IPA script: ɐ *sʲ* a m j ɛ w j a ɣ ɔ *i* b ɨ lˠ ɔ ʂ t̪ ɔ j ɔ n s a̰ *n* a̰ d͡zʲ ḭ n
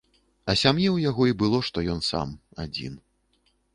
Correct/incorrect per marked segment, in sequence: correct, correct, incorrect

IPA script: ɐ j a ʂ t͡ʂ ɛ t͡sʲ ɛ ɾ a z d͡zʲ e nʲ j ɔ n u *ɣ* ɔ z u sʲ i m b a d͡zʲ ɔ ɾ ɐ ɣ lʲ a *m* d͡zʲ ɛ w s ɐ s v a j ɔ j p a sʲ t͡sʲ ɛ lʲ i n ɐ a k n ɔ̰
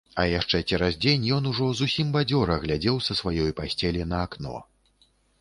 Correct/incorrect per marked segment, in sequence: incorrect, incorrect

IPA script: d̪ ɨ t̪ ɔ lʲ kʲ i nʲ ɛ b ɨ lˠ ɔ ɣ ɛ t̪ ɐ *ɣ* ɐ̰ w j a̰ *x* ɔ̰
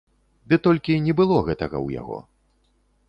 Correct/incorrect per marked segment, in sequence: correct, incorrect

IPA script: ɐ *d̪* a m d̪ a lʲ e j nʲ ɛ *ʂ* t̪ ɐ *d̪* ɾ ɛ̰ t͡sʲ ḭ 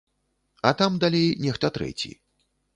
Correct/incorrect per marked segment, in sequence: incorrect, incorrect, incorrect

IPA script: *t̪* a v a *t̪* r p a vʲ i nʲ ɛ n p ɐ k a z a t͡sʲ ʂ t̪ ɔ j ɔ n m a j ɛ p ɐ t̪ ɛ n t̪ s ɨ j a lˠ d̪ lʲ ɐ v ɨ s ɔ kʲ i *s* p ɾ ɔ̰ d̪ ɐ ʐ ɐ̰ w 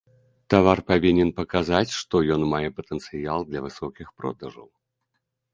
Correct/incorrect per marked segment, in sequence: correct, incorrect, incorrect

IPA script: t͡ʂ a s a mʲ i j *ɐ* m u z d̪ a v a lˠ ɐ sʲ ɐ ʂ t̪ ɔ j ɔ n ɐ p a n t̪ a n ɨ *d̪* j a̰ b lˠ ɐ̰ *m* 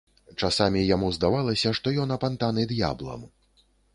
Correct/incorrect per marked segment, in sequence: incorrect, correct, correct

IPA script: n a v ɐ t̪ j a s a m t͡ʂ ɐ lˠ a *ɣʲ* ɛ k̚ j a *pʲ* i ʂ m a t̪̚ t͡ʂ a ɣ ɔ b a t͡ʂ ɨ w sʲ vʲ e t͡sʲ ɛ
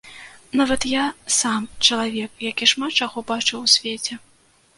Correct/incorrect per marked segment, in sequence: incorrect, incorrect

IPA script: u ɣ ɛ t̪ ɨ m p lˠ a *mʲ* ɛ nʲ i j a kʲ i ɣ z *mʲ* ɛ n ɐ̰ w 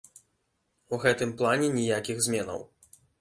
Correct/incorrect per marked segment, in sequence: incorrect, correct

